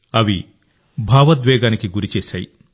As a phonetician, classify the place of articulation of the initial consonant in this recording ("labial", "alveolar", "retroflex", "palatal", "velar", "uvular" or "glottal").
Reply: labial